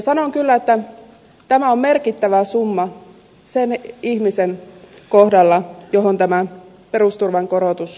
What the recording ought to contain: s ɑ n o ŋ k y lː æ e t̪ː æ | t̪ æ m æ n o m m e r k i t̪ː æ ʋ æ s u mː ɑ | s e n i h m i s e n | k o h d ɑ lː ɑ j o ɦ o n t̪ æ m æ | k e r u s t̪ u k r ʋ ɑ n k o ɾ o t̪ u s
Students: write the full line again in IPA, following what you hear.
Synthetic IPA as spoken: s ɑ n o ŋ k y lː æ e t̪ː æ | t̪ æ m æ o m m e r k i t̪ː æ ʋ æ s u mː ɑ | s e n i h m i s e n | k o h d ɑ lː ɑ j o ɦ o n t̪ æ m æ | p e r u s t̪ u r ʋ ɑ ŋ k o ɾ o t̪ u s